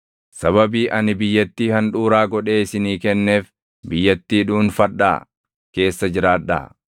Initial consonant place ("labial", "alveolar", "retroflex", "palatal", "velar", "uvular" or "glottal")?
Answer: alveolar